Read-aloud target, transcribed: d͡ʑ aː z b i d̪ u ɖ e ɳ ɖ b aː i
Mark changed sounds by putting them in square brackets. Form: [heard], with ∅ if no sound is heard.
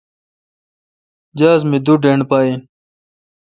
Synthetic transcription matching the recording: d͡ʑ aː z [m] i d̪ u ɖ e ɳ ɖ [p] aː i